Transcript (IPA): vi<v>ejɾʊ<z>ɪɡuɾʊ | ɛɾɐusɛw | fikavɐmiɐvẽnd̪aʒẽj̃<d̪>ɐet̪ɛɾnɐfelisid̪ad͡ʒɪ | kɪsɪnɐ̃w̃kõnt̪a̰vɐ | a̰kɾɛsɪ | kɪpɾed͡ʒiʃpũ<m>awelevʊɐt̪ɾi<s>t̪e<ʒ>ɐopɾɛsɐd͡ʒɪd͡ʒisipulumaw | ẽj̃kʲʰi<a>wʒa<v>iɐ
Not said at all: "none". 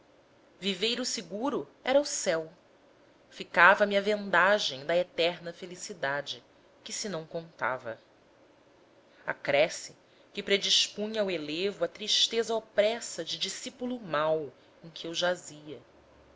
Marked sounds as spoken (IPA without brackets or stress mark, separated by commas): v, s, d̪, ɲ, ʃ, z, e, z